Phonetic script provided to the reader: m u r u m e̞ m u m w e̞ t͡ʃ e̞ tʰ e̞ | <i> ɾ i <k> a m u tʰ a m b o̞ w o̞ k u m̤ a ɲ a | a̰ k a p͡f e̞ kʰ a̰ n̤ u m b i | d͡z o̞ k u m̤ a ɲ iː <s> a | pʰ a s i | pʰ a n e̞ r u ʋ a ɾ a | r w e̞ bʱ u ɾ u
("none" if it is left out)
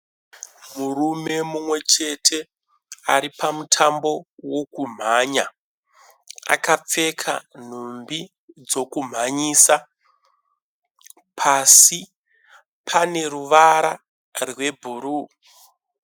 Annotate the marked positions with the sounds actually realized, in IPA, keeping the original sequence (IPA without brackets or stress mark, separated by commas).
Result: a, p, s